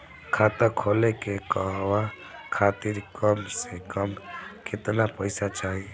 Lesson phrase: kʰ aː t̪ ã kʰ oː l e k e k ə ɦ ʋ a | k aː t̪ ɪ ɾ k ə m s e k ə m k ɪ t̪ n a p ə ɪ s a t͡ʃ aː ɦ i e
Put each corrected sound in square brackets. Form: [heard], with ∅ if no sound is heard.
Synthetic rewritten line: kʰ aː t̪ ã kʰ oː l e k e k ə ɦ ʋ a | [kʰ] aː t̪ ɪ ɾ k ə m s e k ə m k ɪ t̪ n a p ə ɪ s a t͡ʃ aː ɦ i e